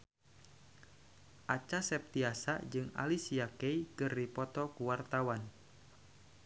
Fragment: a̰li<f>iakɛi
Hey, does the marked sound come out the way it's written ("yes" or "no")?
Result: no